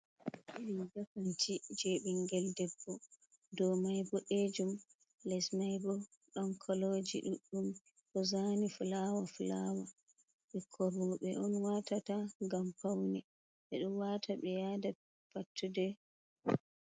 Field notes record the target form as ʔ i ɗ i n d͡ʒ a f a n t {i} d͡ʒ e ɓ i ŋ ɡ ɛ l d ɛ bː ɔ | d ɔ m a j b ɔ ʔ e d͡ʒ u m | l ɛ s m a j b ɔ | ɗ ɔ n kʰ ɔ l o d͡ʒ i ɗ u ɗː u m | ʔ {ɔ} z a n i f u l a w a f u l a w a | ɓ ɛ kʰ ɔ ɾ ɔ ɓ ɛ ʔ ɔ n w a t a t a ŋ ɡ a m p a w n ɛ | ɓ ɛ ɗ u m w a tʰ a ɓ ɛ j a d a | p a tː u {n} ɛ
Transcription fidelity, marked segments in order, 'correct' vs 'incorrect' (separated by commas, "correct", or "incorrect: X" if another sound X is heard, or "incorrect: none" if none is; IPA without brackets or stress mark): correct, correct, incorrect: d